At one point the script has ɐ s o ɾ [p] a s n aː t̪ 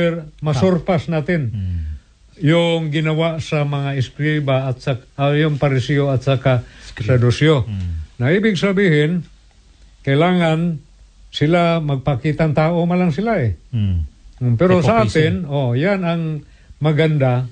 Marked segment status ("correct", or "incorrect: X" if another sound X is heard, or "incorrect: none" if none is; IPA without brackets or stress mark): correct